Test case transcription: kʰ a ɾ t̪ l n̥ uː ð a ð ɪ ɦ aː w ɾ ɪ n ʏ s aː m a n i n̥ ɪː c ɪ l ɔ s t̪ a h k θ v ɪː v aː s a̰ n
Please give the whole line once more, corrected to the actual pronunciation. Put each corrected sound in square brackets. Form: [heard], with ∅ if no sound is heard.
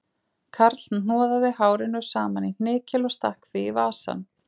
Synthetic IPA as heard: kʰ a ɾ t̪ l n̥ [ɔː] ð a ð ɪ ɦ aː w ɾ ɪ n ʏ s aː m a n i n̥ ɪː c ɪ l ɔ s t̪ a h k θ v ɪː v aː s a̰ n